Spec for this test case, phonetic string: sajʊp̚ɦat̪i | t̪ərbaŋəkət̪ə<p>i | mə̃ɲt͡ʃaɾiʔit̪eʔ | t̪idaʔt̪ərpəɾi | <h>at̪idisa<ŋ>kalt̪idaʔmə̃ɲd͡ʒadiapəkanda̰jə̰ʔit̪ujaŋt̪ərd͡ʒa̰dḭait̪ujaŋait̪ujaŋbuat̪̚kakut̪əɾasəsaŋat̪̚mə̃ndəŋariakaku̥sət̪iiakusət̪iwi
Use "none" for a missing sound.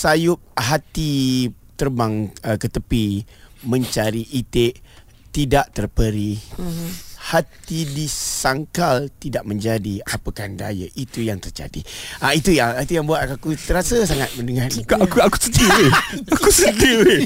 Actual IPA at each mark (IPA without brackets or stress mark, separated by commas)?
p, h, ŋ